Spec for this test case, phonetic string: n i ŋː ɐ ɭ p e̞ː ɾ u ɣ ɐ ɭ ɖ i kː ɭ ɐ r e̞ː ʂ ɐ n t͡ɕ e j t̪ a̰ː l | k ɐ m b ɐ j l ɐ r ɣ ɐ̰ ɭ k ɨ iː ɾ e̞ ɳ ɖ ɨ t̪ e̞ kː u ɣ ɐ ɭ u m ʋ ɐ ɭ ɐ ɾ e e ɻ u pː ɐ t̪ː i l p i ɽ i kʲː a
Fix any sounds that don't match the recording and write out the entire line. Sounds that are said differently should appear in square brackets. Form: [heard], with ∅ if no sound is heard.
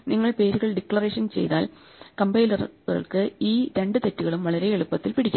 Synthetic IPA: n i ŋː ɐ ɭ p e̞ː ɾ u ɣ ɐ ɭ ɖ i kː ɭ ɐ r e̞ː ʂ ɐ n t͡ɕ e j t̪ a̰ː l | k ɐ m b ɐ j l ɐ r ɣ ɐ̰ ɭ k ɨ iː ɾ e̞ ɳ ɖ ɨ t̪ e̞ [tː] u ɣ ɐ ɭ u m ʋ ɐ ɭ ɐ ɾ e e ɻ u pː ɐ t̪ː i l p i ɽ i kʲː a